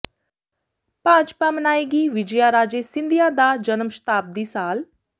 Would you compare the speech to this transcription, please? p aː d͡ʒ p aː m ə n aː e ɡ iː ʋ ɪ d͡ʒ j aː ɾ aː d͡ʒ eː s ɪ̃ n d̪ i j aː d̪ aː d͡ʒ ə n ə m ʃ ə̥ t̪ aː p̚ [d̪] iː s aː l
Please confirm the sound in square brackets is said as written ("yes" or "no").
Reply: yes